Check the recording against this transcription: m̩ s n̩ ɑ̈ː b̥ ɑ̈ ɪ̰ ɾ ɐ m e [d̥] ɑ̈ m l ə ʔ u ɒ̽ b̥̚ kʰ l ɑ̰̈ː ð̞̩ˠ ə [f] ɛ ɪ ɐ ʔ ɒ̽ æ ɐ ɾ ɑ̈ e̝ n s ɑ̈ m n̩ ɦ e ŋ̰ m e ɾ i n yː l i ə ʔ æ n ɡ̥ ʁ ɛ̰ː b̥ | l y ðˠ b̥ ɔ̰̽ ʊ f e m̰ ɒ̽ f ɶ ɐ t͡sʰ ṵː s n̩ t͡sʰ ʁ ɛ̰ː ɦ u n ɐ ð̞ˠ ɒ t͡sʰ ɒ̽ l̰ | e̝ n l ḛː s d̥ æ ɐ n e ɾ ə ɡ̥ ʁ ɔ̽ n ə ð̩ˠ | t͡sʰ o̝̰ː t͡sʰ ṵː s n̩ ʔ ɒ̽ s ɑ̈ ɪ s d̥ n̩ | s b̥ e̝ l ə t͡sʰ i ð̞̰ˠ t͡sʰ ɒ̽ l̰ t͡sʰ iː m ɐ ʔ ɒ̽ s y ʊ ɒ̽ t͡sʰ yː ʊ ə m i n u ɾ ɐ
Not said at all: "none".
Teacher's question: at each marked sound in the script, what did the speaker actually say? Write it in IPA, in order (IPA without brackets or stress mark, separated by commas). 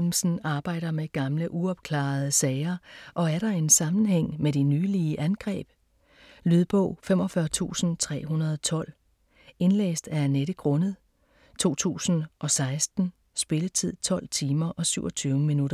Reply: ɡ̥, s